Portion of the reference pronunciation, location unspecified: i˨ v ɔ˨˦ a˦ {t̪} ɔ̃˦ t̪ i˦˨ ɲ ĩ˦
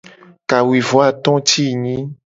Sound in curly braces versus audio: correct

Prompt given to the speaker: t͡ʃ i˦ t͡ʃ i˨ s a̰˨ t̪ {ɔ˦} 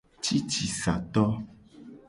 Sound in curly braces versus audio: correct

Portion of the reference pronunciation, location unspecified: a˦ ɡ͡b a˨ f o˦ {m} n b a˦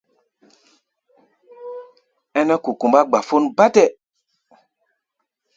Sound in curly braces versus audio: incorrect: none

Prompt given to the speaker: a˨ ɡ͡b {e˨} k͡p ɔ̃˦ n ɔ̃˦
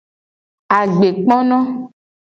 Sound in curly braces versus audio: correct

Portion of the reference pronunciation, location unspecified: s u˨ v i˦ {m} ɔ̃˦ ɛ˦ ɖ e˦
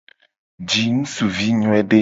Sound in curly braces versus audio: incorrect: ɲ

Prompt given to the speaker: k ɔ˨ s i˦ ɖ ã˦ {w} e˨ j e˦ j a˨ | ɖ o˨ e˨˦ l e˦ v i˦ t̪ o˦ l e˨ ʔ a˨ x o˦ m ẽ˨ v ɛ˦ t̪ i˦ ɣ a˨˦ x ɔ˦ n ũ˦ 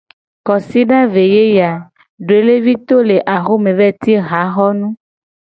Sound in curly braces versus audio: incorrect: v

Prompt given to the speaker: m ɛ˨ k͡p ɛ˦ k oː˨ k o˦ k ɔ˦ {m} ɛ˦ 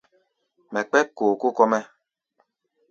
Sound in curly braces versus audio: correct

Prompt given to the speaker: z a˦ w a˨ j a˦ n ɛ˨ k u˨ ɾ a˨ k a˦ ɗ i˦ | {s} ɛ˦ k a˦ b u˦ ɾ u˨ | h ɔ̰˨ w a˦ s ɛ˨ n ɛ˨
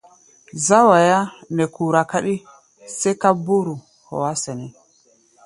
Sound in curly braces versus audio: correct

